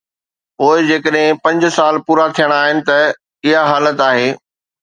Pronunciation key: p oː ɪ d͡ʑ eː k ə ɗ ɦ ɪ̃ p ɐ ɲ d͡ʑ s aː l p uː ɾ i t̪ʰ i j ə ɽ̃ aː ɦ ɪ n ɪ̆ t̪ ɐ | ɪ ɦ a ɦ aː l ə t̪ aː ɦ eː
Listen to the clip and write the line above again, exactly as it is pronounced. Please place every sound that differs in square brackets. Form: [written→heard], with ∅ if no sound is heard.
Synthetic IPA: p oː ɪ d͡ʑ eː k ə ɗ ɦ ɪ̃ p [ɐ→ɐ̃] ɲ d͡ʑ s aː l p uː ɾ [i→a] t̪ʰ i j ə ɽ̃ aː ɦ ɪ n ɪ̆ t̪ ɐ | ɪ ɦ a ɦ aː l ə t̪ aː ɦ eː